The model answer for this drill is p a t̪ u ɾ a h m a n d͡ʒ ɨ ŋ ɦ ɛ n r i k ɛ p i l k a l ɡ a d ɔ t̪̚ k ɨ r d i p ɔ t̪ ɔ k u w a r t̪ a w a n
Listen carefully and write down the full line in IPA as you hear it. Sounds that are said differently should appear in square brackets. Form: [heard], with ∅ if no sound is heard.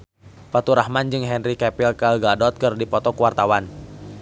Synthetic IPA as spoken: p a t̪ u ɾ a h m a n d͡ʒ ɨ ŋ ɦ ɛ n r i k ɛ p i l k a l ɡ a d ɔ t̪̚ k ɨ r d i p ɔ t̪ ɔ k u w a r t̪ a w a n